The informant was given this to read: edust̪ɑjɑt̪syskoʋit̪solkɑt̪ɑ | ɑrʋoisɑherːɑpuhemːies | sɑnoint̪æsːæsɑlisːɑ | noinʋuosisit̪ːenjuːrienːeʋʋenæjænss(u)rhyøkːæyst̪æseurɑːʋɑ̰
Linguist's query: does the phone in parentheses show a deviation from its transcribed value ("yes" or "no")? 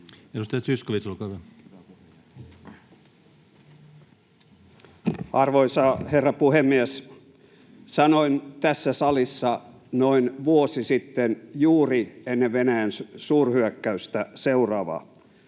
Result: yes